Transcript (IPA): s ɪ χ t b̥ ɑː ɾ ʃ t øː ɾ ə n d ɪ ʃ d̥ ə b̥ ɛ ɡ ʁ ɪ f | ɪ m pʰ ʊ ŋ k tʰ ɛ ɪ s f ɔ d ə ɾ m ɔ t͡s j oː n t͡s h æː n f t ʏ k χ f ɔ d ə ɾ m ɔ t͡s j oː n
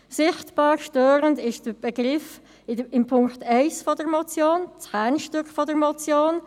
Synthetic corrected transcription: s ɪ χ t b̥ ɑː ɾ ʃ t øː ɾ ə n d ɪ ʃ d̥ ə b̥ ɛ ɡ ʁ ɪ f | ɪ m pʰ ʊ ŋ k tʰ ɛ ɪ s f ɔ d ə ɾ m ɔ t͡s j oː n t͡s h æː n ʃ t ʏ k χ f ɔ d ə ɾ m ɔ t͡s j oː n